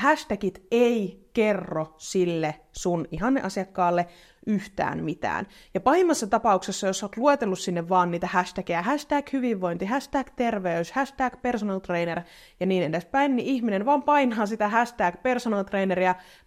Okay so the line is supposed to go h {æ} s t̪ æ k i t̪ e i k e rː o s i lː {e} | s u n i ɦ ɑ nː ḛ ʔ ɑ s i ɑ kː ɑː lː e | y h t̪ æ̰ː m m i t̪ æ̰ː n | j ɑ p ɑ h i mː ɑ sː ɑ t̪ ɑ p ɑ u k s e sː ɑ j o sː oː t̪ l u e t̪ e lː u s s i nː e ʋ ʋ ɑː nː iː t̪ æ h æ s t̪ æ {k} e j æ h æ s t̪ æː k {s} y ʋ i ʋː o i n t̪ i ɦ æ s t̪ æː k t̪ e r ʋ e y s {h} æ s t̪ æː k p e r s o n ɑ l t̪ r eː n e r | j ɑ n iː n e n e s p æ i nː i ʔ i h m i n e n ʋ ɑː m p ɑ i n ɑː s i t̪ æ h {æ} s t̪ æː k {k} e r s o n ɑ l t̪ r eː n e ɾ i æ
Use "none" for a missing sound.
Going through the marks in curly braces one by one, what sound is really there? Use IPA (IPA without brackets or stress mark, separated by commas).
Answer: æ, e, k, h, h, æ, p